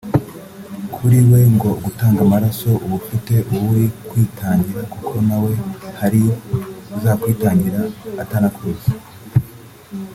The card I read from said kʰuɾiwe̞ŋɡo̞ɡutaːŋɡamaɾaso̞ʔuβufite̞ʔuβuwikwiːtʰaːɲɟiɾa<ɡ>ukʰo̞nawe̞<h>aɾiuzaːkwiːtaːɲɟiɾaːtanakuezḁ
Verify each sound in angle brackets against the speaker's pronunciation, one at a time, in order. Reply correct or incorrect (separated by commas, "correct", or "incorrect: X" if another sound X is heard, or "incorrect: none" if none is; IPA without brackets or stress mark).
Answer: incorrect: k, correct